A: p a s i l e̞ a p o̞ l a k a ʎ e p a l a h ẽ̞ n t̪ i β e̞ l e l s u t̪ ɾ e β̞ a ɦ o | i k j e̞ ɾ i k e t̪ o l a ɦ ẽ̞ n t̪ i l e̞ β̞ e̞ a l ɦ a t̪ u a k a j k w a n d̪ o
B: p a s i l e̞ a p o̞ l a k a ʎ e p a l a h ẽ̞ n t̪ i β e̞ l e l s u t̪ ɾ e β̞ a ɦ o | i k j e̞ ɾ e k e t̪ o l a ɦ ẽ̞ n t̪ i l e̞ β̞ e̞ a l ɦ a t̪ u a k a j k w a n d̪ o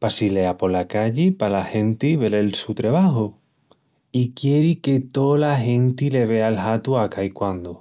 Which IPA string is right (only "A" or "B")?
A